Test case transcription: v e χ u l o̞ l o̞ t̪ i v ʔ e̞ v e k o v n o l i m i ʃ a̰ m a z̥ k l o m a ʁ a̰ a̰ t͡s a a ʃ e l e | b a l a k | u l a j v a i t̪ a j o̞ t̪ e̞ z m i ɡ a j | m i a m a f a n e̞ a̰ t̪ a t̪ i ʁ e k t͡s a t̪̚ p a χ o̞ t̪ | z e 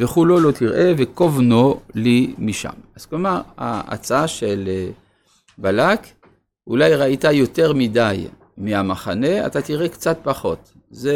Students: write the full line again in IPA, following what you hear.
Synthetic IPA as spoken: v e χ u l o̞ l o̞ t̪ i ʁ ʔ e̞ v e k o v n o l i m i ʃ a̰ m a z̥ k l o m a ʁ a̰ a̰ t͡s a a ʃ e l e | b a l a k | u l a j ʁ a i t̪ a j o̞ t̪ e̞ ʁ m i d a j | m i a m a χ a n e̞ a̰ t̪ a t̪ i ʁ e k t͡s a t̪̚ p a χ o̞ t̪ | z e